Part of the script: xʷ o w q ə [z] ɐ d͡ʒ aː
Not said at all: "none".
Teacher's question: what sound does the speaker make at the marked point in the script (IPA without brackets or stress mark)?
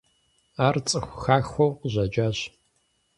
ʑ